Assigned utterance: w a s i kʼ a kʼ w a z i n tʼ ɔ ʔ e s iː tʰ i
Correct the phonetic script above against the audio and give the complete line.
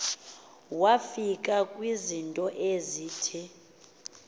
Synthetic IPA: w a f i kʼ a kʼ w i z i n tʼ ɔ ʔ e z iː tʰ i